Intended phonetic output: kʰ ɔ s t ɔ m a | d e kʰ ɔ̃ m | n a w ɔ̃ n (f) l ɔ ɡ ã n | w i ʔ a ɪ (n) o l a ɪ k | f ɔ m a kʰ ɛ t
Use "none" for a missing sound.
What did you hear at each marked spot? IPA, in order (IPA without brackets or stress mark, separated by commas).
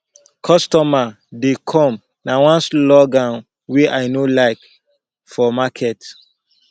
s, n